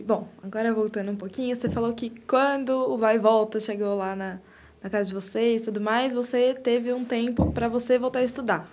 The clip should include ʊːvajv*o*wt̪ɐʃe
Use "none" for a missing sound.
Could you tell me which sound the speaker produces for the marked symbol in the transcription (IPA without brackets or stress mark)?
ɔ